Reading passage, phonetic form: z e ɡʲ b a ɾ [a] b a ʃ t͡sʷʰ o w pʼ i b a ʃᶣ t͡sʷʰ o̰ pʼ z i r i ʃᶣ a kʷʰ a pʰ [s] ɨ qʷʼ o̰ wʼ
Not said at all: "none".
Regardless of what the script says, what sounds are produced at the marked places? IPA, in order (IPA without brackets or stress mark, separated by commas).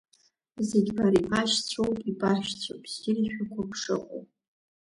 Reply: i, ʂ